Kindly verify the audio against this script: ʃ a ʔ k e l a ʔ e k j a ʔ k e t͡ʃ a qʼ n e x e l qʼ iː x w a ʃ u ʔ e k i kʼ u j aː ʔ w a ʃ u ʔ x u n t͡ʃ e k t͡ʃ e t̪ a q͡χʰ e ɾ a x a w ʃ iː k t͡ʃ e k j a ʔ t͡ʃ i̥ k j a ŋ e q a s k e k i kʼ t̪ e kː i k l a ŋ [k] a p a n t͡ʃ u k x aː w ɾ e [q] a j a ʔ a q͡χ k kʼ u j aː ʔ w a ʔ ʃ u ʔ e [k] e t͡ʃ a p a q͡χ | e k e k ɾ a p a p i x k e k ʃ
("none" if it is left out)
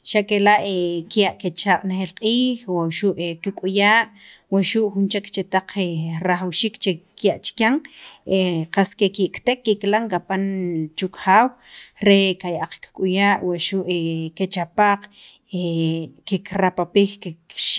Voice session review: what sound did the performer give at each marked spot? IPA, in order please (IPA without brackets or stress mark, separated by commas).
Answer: k, k, k